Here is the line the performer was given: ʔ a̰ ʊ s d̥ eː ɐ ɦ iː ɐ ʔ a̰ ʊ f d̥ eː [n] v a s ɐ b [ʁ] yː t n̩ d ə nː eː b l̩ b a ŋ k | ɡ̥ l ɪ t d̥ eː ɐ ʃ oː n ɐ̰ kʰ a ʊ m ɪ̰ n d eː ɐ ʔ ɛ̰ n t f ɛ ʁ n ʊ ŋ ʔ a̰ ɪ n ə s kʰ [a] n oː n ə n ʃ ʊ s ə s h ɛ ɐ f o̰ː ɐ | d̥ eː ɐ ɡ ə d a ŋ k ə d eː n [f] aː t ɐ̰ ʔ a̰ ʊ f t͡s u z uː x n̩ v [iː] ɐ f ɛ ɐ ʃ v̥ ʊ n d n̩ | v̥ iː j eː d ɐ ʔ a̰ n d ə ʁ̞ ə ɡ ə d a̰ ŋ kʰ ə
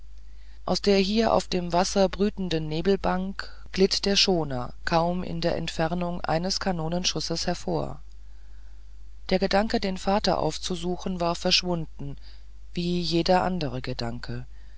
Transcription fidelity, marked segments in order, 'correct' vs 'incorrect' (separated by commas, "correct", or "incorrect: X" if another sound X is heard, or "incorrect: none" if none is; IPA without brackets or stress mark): incorrect: m, correct, correct, correct, incorrect: aː